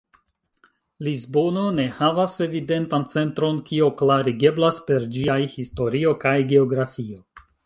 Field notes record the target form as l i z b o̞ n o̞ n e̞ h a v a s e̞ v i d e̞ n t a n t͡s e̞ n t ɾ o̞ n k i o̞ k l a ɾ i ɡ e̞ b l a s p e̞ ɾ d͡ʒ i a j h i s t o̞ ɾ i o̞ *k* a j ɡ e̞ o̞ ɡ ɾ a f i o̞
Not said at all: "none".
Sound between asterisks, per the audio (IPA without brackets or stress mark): k